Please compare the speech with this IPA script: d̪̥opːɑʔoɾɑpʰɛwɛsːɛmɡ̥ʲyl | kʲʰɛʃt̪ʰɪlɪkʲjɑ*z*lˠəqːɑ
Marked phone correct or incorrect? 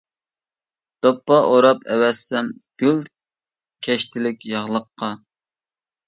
incorrect